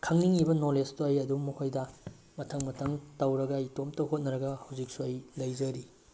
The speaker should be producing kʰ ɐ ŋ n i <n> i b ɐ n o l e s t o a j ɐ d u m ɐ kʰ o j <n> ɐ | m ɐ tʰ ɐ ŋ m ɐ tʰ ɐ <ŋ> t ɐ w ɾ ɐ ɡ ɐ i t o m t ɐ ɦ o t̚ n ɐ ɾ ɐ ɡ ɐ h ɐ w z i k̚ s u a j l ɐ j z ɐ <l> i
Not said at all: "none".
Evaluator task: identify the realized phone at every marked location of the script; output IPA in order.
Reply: ŋ, d, ŋ, ɾ

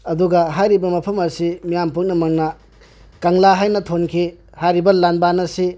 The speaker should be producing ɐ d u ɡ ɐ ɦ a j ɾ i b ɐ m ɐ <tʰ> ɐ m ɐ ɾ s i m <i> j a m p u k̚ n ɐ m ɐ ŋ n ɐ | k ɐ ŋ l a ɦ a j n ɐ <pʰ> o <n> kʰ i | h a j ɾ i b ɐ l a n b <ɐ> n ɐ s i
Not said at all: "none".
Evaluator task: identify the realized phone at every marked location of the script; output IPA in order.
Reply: pʰ, i, tʰ, n, a

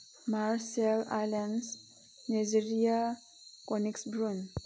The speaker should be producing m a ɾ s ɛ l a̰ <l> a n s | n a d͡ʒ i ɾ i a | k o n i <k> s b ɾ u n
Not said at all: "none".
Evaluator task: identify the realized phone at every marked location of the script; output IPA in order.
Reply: l, k

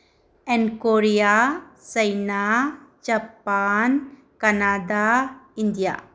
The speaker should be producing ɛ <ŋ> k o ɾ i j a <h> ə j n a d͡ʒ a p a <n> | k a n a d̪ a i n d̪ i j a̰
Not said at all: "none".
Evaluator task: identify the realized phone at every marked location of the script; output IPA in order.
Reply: n, s, n

